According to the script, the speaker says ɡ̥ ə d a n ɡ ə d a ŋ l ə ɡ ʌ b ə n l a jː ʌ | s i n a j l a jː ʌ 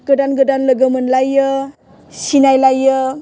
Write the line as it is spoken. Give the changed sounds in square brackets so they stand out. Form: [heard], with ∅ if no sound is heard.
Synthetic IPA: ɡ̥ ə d a n ɡ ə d a [n] l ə ɡ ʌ [m] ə n l a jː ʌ | s i n a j l a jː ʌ